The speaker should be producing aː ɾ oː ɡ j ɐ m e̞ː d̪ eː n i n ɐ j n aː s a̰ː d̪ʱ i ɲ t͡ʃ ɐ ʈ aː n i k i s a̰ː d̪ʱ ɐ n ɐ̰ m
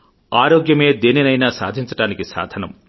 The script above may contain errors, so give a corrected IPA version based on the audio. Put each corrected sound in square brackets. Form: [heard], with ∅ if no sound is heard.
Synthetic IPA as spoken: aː ɾ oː ɡ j ɐ m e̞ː d̪ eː n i n ɐ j n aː s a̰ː d̪ʱ i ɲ t͡ʃ ɐ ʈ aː n i k i s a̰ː d̪ʱ ɐ n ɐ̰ m